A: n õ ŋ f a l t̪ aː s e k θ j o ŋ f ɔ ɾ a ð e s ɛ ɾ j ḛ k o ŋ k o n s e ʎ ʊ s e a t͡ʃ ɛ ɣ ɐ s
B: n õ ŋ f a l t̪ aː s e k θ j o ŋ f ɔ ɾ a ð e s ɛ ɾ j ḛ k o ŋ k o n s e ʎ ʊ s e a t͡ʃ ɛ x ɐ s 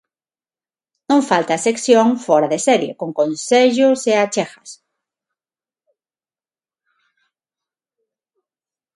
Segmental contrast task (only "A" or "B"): B